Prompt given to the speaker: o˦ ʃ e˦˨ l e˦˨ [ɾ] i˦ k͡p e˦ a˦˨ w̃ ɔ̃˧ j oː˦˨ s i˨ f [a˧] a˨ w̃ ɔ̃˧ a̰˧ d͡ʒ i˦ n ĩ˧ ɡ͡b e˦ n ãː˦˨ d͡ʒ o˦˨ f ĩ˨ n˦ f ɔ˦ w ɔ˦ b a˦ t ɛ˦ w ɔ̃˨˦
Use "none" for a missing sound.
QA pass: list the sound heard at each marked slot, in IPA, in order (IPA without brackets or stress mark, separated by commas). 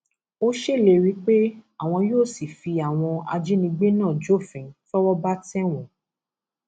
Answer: ɾ, i˧